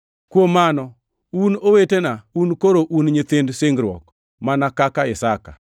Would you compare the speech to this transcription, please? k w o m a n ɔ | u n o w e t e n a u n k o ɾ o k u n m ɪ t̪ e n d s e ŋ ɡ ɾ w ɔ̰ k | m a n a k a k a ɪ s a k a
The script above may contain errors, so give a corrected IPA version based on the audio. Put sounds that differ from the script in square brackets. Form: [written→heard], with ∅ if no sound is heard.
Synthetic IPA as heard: k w o m a n ɔ | u n o w e t e n a u n k o ɾ o [k→ʔ] u n [m→ɲ] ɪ t̪ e n d s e ŋ ɡ ɾ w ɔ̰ k | m a n a k a k a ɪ s a k a